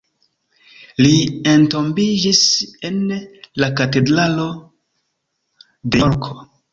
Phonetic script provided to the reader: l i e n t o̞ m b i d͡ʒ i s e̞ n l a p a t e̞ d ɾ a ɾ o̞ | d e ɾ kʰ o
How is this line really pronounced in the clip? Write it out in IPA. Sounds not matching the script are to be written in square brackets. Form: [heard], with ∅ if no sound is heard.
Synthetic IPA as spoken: l i e n t o̞ m b i d͡ʒ i s e̞ n l a [k] a t e̞ d ɾ a [l] o̞ | d e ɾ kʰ o